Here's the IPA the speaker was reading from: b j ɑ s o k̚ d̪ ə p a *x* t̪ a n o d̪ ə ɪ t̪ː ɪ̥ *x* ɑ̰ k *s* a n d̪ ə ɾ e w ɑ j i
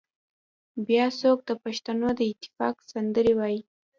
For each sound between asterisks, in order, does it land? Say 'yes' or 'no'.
no, no, yes

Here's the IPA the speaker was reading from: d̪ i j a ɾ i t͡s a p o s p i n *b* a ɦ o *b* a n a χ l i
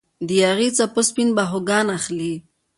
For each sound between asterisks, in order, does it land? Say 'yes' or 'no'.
yes, no

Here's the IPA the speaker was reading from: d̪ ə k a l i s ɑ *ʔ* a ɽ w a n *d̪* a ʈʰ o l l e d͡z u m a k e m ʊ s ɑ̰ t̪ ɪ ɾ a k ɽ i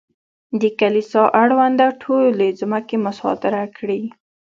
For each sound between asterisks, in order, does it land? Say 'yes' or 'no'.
yes, yes

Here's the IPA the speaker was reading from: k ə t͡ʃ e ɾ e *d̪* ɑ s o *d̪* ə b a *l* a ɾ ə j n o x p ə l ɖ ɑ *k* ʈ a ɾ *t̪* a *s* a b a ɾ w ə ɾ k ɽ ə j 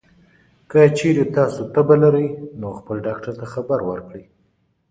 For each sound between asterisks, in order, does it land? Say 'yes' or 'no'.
no, no, yes, yes, yes, no

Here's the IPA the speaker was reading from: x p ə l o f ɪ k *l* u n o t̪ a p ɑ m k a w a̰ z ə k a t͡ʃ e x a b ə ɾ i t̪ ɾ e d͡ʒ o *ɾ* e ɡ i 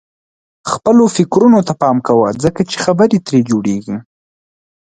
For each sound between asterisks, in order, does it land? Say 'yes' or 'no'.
no, no

